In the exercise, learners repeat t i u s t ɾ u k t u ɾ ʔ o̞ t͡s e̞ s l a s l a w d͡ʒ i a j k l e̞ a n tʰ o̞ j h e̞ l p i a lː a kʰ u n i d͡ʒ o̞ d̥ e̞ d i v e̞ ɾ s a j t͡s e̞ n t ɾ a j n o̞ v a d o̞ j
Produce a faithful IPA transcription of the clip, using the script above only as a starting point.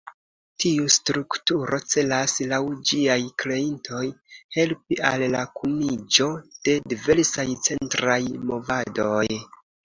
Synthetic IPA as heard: t i u s t ɾ u k t u ɾ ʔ o̞ t͡s e̞ l a s l a w d͡ʒ i a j k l e̞ i n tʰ o̞ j h e̞ l p i a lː a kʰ u n i d͡ʒ o̞ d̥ e̞ d i v e̞ ɾ s a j t͡s e̞ n t ɾ a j m o̞ v a d o̞ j